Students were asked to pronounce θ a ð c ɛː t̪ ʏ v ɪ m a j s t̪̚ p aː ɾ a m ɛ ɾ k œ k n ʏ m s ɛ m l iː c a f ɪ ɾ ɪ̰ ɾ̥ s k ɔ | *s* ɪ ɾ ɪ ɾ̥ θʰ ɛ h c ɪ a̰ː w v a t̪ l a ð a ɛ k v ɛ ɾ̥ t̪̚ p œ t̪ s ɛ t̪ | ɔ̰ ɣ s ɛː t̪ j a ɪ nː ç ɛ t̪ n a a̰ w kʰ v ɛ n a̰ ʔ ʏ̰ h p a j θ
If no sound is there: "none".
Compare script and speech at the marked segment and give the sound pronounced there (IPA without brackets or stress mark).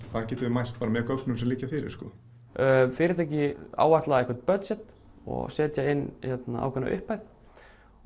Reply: f